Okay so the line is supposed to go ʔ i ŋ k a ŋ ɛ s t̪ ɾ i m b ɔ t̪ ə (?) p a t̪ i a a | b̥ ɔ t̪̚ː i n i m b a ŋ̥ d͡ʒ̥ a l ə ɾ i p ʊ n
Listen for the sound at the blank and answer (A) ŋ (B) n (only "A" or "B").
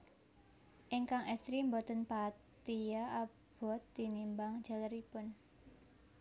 B